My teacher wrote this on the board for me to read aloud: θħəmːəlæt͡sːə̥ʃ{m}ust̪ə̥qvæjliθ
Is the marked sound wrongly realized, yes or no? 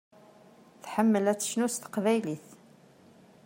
yes